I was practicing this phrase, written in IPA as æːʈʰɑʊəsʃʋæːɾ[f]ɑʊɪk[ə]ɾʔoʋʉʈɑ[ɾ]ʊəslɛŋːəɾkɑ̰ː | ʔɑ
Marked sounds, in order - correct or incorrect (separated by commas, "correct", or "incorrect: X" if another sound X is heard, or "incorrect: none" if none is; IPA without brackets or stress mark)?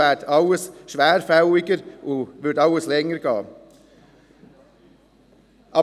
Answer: correct, correct, incorrect: none